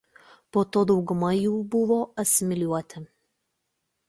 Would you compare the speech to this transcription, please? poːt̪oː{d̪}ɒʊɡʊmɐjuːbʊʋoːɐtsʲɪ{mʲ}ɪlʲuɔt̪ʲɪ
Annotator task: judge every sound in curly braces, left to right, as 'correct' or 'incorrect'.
correct, correct

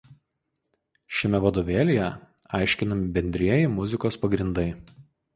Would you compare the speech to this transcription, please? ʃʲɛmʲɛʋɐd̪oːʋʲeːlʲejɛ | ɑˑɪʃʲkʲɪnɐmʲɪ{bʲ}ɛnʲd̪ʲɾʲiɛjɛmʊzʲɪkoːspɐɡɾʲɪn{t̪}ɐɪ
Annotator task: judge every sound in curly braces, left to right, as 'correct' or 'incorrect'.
correct, incorrect

